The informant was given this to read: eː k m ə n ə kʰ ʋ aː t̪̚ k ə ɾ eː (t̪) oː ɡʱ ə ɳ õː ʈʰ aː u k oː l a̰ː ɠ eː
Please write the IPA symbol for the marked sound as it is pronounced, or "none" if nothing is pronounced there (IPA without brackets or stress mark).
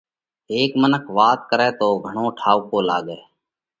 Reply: t̪